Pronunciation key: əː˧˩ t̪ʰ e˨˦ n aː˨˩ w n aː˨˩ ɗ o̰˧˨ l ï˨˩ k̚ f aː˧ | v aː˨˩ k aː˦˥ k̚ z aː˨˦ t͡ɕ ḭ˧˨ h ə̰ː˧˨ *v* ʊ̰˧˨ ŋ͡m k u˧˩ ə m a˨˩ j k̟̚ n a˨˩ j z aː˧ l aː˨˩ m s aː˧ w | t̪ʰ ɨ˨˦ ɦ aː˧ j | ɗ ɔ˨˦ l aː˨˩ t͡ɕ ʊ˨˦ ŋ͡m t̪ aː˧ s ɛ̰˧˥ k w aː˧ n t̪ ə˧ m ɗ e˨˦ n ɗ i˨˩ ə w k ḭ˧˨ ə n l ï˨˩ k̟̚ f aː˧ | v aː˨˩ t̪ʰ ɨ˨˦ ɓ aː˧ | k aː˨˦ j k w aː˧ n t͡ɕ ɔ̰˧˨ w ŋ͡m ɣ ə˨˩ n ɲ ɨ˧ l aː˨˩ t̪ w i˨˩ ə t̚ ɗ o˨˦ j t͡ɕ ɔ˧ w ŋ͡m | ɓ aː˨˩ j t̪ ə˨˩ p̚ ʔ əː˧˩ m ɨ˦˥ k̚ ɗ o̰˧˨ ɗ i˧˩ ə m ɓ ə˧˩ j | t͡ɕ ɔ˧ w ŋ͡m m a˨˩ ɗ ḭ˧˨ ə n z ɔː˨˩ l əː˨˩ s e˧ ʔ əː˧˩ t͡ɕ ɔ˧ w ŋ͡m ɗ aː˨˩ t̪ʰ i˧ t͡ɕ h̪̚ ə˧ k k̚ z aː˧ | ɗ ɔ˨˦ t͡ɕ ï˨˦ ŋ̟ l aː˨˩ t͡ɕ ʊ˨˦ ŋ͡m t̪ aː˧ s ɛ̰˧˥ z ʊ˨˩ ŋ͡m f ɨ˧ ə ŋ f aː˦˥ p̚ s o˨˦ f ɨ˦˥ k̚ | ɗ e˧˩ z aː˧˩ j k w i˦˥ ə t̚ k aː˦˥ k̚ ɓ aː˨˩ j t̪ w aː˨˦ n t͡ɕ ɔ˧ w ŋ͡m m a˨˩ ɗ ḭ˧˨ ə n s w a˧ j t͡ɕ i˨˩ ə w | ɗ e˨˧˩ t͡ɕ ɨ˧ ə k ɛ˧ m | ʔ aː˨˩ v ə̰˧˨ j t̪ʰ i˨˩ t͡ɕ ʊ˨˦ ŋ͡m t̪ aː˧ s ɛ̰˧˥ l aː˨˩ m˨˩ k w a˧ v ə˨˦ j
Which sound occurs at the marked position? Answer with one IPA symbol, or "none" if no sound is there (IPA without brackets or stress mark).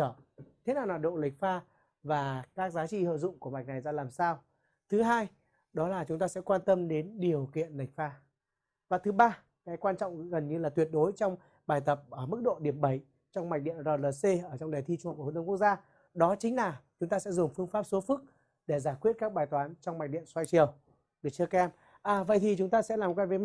z